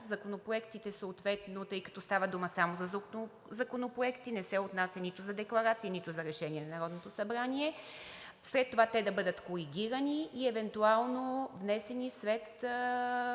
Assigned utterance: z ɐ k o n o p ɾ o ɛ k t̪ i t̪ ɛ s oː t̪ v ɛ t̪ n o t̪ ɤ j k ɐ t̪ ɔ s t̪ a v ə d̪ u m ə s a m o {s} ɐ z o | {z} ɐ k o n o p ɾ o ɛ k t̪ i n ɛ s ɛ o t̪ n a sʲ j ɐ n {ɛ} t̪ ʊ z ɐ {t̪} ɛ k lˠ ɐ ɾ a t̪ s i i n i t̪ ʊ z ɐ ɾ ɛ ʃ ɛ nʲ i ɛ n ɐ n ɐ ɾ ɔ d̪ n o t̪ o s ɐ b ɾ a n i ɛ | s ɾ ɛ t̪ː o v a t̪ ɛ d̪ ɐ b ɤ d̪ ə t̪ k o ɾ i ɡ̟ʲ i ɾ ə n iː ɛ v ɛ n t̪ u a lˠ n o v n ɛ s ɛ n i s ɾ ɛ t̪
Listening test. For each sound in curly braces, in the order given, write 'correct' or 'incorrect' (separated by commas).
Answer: incorrect, correct, incorrect, incorrect